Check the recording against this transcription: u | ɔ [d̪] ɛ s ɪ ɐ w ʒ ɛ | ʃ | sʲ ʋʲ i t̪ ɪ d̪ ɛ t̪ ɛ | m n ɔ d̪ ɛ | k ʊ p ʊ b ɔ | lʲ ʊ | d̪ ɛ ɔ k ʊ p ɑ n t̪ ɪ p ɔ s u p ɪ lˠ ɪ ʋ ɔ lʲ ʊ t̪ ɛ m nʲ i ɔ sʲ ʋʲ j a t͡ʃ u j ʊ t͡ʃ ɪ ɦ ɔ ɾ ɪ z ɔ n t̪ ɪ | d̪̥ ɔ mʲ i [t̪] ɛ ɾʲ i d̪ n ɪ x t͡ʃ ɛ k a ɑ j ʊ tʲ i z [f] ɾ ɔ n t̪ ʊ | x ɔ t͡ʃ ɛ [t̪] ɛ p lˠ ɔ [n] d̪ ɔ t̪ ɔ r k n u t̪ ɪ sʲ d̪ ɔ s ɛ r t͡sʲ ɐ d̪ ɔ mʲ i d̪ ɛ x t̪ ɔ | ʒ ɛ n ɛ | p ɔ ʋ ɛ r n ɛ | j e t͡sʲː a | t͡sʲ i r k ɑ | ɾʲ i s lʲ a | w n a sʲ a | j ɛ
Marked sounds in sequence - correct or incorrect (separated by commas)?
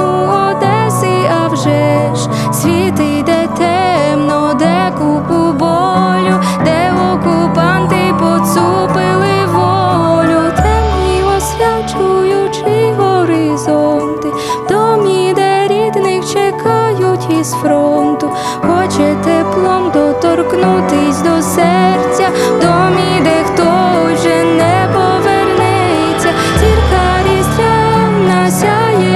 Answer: correct, incorrect, correct, correct, incorrect